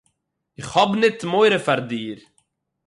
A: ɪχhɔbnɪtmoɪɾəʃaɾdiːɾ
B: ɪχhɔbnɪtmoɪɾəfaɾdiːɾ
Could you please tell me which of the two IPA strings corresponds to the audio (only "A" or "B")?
B